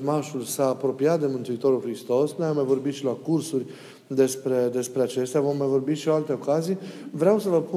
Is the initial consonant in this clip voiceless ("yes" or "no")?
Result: no